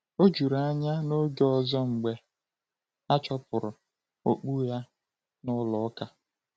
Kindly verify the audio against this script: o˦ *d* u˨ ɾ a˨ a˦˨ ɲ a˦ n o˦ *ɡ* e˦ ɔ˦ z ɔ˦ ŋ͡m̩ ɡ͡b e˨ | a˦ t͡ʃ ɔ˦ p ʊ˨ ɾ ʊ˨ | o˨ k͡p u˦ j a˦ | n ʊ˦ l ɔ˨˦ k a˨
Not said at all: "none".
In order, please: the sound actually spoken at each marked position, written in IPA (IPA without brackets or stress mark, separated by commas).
d͡ʒ, ɡ